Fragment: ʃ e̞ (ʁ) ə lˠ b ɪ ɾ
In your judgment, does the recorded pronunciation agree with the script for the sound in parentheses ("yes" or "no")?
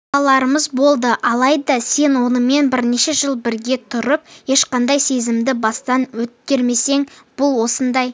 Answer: no